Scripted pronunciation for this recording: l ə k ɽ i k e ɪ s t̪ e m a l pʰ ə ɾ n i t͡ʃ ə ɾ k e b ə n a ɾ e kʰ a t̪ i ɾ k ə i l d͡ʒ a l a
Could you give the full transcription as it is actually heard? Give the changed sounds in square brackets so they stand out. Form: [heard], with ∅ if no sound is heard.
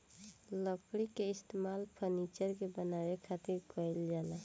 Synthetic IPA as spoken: l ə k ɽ i k e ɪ s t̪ e m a l pʰ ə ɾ n i t͡ʃ ə ɾ k e b ə n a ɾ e kʰ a t̪ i ɾ k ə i l d͡ʒ a l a